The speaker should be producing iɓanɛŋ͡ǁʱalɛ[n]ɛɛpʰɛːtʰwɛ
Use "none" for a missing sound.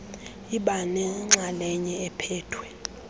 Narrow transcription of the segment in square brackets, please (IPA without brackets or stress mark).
ɲ